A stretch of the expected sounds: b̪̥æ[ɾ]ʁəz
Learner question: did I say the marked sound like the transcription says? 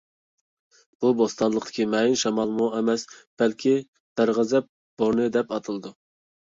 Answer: yes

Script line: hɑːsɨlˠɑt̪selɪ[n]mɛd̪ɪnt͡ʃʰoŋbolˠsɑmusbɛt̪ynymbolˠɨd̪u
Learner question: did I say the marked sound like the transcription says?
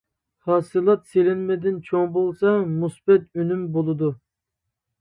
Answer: yes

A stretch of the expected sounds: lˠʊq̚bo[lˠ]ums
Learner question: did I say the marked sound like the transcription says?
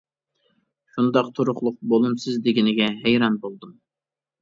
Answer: yes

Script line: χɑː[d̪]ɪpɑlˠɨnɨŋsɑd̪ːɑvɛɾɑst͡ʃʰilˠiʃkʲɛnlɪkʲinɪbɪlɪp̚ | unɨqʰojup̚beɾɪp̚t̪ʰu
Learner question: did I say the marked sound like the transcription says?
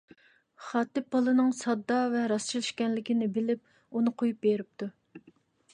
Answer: no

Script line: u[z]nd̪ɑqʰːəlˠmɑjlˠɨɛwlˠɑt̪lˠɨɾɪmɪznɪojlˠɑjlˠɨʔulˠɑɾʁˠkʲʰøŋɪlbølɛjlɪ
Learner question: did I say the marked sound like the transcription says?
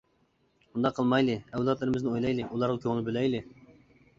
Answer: no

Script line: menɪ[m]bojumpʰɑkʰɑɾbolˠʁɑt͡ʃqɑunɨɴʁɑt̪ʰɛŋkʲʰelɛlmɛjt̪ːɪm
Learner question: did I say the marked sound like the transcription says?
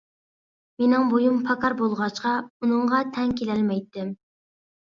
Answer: no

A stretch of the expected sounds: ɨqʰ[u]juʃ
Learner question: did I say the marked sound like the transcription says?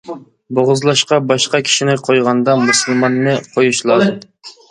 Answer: no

